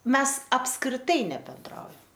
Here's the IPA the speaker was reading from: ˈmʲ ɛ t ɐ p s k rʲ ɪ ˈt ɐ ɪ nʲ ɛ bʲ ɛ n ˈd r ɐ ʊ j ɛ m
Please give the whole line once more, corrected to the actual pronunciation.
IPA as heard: ˈmʲ ɛ s ɐ p s k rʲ ɪ ˈt ɐ ɪ nʲ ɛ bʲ ɛ n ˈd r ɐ ʊ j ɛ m